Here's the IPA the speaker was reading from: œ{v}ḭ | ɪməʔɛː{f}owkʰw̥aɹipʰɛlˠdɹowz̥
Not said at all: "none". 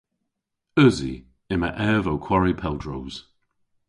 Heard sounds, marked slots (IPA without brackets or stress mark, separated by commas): z, v